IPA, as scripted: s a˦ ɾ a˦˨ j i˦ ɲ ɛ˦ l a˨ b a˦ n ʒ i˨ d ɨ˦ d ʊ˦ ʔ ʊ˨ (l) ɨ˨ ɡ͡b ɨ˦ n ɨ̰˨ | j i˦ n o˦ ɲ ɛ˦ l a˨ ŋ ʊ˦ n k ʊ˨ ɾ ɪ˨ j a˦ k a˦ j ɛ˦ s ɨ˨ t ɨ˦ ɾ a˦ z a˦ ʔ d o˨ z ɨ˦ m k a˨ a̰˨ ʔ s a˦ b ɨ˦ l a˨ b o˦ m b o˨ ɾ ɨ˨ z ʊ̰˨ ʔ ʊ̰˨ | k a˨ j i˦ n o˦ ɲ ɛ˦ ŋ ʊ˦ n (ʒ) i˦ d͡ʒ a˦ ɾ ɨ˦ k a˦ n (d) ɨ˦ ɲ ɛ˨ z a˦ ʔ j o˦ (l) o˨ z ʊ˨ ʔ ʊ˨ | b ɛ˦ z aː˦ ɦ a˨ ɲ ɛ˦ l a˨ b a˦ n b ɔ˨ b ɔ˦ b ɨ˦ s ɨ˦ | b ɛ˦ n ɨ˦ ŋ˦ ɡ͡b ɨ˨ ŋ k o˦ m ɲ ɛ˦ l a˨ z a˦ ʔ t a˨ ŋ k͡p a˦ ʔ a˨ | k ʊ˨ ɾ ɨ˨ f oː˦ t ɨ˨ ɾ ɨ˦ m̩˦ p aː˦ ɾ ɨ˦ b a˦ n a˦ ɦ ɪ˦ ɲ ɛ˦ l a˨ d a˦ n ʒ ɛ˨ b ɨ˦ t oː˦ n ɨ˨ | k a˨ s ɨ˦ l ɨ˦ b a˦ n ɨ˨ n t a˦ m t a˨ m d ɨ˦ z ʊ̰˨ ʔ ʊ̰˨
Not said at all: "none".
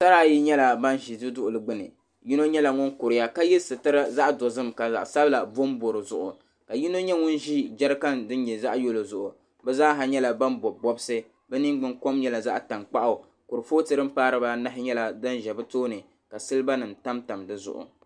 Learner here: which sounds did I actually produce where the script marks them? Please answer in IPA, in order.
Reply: l, ʒ, d, l

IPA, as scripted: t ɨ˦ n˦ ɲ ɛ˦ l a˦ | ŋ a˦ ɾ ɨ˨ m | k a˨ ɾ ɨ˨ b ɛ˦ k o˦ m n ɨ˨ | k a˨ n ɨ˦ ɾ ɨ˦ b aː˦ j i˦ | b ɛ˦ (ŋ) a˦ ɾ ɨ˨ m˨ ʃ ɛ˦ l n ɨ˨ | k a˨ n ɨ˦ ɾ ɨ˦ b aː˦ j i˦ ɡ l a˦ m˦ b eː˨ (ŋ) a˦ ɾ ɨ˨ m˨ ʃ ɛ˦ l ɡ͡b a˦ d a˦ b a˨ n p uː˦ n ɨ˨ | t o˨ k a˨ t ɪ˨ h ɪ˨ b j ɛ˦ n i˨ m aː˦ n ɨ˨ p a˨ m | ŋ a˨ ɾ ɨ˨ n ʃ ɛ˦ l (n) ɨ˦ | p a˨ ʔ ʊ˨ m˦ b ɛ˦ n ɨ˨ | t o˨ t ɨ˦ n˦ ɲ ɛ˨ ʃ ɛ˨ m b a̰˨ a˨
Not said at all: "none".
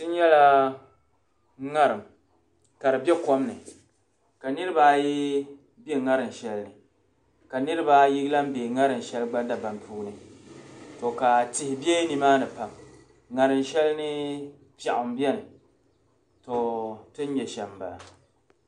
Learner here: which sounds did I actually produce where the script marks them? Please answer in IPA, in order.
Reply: ŋ, ŋ, n

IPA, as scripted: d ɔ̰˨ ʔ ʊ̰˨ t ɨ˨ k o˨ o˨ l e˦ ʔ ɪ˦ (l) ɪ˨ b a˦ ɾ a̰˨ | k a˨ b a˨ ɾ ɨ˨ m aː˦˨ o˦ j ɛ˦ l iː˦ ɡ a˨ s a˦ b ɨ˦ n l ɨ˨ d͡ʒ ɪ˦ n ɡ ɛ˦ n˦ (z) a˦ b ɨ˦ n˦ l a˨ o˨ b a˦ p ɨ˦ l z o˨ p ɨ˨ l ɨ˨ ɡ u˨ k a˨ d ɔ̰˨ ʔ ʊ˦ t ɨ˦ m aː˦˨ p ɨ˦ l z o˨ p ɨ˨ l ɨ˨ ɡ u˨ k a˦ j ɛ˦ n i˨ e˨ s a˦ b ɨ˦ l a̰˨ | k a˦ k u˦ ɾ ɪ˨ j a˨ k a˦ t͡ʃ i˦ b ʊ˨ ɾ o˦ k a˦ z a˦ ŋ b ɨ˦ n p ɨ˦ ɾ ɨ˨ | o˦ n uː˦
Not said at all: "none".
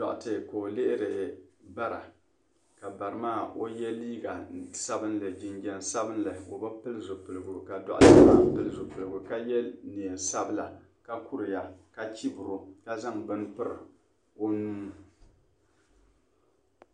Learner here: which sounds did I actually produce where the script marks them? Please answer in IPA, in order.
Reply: ɾ, s

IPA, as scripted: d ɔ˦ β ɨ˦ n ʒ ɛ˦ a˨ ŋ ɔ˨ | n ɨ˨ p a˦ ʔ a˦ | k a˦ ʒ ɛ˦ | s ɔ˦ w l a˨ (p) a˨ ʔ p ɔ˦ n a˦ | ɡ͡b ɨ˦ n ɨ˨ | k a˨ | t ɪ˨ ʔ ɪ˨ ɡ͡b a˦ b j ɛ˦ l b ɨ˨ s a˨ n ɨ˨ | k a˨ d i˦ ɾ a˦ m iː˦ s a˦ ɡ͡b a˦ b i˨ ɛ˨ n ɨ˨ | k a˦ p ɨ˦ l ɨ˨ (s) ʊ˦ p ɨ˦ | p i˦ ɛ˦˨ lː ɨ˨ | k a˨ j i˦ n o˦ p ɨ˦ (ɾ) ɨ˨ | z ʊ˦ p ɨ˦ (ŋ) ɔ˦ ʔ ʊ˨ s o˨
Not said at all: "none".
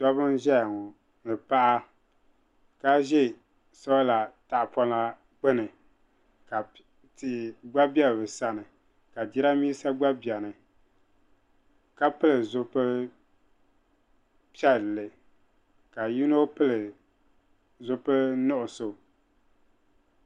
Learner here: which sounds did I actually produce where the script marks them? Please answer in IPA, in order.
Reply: t, z, l, n

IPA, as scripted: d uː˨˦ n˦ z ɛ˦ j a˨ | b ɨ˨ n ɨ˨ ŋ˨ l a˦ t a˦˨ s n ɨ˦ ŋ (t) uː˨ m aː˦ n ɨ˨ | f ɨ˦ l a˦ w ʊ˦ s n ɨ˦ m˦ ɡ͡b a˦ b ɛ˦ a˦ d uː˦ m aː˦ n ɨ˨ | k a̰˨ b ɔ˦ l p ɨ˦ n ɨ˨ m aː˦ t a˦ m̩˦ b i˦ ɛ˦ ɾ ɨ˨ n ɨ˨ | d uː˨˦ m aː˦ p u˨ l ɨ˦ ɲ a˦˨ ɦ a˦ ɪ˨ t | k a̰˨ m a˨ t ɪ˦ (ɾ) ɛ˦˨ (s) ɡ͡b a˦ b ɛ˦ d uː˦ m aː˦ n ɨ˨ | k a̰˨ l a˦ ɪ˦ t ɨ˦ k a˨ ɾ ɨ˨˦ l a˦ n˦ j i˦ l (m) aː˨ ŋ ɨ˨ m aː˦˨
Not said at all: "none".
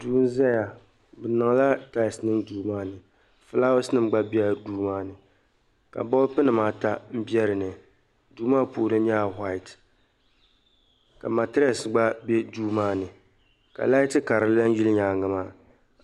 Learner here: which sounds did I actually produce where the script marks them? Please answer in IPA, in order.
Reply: d, ɾ, s, ɲ

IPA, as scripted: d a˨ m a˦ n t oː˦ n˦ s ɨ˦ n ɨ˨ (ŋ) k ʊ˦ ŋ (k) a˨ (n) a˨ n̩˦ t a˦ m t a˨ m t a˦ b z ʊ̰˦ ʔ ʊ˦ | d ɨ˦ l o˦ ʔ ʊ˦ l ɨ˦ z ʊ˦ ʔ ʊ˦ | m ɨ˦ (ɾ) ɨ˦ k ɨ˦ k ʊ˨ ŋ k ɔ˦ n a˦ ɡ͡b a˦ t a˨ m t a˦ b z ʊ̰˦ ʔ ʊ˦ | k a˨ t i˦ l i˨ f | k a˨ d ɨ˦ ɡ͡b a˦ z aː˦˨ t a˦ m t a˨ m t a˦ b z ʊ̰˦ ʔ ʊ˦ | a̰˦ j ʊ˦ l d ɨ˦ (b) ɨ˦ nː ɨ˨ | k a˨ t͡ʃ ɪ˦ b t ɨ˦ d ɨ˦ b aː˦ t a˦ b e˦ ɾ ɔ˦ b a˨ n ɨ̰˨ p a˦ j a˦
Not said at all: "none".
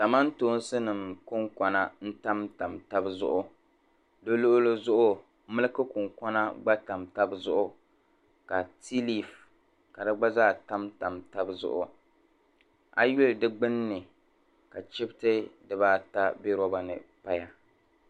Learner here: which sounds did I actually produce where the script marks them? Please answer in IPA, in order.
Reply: m, k, n, l, ɡ͡b

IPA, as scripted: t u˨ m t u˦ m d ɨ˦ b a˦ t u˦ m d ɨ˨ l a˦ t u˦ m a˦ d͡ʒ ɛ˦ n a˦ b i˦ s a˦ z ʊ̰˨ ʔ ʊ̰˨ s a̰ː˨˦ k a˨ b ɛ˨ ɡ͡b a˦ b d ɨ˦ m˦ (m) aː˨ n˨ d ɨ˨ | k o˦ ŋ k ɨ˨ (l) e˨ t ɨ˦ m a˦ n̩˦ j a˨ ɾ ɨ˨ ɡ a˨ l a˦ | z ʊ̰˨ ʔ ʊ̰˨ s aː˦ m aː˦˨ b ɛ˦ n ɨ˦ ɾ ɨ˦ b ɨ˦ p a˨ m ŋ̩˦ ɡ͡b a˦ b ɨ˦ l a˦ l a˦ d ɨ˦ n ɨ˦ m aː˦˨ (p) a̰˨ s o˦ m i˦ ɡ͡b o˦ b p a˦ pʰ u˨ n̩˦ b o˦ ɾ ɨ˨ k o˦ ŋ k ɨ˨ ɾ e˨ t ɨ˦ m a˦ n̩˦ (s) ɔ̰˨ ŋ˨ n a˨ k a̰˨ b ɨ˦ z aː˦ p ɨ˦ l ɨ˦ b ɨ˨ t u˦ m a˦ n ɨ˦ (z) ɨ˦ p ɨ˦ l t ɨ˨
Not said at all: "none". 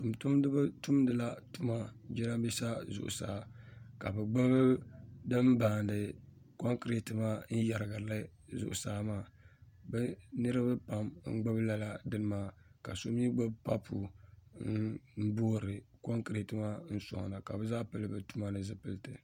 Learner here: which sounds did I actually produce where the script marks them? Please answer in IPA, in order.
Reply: b, ɾ, k, s, z

